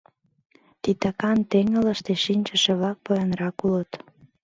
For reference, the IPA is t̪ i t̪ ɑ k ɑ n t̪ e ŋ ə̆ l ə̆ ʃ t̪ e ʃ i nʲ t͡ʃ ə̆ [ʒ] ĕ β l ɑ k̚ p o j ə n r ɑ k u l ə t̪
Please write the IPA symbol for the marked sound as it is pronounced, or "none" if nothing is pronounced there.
ʃ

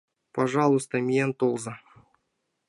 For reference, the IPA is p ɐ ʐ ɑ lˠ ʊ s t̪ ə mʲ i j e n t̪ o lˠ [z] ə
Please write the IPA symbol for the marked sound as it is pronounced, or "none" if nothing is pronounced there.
z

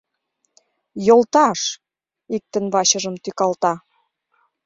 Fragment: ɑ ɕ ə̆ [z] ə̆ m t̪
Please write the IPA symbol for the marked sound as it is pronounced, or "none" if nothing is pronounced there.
ʒ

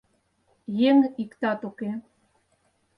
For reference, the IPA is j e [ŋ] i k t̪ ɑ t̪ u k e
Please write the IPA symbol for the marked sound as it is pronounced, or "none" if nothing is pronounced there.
ŋ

